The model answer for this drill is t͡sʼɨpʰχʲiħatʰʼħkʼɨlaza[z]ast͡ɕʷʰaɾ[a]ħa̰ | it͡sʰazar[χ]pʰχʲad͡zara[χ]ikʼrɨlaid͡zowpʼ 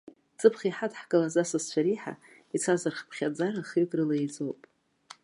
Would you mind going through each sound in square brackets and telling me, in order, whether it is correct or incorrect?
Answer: incorrect: s, incorrect: i, correct, correct

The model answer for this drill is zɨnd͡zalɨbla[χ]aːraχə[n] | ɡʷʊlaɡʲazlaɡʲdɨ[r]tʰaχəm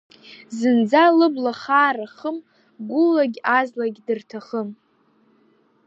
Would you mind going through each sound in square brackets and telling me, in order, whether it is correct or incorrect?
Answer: correct, incorrect: m, correct

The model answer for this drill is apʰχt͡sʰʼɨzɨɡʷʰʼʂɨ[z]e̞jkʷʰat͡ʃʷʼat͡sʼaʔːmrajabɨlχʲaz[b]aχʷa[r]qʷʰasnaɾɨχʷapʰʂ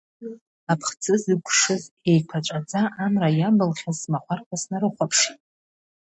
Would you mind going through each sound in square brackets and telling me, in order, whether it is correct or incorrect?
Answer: correct, incorrect: m, correct

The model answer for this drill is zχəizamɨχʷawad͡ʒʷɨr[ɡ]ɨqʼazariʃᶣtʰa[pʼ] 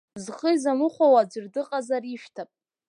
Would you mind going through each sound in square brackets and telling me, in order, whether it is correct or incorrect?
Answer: incorrect: d, correct

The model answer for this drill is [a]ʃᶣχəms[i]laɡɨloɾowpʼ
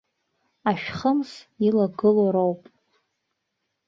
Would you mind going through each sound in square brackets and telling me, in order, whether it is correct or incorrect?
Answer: correct, correct

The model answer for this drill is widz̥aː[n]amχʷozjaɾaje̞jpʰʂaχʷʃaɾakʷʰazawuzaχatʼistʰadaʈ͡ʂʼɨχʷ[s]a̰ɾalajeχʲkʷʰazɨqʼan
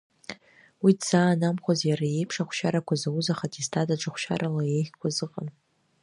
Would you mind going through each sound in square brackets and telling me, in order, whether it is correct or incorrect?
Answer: correct, incorrect: ʃ

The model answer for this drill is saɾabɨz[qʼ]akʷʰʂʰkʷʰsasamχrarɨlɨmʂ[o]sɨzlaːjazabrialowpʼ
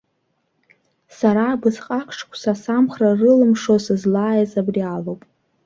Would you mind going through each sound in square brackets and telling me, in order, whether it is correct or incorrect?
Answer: correct, correct

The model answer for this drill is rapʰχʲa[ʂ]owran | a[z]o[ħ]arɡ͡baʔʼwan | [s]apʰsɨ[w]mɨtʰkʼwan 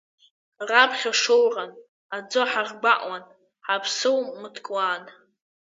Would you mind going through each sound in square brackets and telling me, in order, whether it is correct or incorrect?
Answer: correct, incorrect: d͡z, correct, incorrect: ħ, correct

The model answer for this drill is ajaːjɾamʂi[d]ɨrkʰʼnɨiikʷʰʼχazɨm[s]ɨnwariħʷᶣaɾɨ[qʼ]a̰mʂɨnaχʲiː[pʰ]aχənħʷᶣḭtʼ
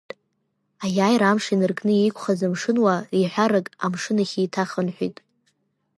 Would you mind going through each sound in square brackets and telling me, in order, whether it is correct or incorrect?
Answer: incorrect: n, incorrect: ʂ, incorrect: kʼ, incorrect: tʰ

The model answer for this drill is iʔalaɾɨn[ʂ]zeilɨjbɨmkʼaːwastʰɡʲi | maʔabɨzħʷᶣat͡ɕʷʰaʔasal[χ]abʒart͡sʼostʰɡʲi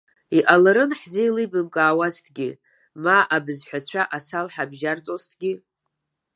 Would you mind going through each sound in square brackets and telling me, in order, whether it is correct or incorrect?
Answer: incorrect: ħ, incorrect: ħ

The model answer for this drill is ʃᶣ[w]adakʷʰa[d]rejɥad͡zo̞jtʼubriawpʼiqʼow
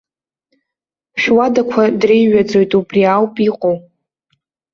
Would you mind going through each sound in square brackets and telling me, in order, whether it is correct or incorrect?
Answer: correct, correct

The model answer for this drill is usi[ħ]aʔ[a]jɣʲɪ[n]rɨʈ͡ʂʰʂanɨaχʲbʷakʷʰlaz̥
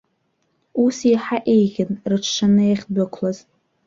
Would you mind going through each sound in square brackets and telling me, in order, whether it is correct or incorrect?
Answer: correct, incorrect: e, correct

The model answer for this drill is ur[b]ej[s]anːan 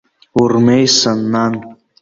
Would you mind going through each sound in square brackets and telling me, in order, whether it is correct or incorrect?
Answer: incorrect: m, correct

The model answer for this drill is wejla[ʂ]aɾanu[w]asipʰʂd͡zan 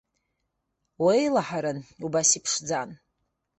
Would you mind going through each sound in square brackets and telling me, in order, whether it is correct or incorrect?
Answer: incorrect: ħ, incorrect: b

